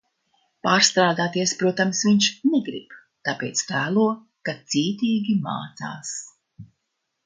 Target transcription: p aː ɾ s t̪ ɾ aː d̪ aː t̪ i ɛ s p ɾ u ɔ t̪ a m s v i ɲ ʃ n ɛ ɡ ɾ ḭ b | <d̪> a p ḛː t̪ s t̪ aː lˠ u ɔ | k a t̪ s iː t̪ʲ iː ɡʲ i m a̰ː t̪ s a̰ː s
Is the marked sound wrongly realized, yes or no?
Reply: yes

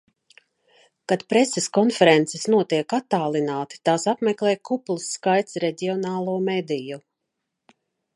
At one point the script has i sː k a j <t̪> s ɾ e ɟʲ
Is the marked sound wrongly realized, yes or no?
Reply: no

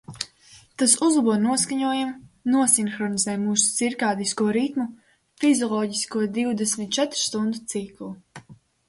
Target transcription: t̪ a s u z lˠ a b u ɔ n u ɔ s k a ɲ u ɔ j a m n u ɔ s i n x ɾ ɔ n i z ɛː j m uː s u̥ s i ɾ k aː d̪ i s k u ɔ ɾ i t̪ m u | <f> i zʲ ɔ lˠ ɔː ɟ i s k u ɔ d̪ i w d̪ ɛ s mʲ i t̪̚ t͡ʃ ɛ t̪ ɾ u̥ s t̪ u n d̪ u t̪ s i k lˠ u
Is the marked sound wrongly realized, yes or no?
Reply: no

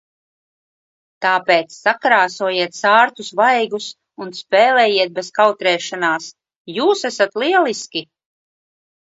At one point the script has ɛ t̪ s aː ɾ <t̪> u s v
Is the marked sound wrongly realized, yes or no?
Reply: no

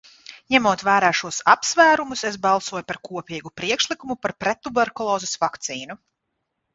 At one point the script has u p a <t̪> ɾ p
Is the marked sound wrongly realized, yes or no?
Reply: yes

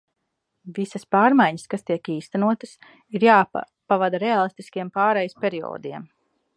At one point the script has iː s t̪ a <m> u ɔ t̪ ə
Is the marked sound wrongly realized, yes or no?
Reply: yes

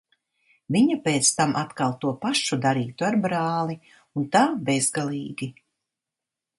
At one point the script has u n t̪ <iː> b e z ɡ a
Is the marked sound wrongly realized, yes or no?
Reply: yes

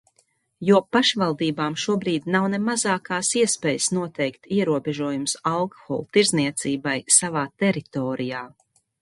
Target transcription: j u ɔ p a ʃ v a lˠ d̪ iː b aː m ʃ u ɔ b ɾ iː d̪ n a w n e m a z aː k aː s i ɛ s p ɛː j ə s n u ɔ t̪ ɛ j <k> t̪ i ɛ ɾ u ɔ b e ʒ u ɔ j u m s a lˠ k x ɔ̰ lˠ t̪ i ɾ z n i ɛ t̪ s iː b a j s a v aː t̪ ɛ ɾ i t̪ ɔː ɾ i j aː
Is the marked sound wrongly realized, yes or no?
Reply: no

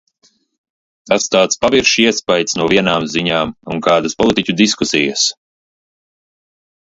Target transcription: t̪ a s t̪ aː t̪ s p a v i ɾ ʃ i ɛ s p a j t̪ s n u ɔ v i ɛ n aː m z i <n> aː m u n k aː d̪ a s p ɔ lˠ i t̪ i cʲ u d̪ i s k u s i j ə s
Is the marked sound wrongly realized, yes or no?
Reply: yes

